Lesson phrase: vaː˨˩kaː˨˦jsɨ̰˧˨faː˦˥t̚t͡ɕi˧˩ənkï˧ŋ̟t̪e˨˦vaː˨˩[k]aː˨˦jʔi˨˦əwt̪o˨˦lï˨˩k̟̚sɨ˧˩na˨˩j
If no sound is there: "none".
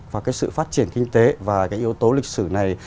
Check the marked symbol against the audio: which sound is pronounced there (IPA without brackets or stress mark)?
k